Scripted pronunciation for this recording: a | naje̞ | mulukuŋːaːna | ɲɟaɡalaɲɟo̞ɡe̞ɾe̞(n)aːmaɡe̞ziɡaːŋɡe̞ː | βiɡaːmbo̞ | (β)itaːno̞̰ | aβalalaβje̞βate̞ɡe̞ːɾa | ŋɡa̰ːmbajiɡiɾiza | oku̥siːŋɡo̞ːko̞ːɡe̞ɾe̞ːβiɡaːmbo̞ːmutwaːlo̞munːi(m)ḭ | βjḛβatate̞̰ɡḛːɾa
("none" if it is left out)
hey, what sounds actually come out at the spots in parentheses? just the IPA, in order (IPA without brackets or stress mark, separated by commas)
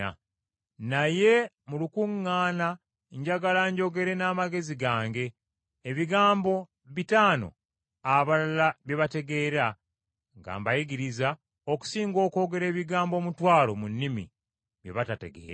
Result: n, β, m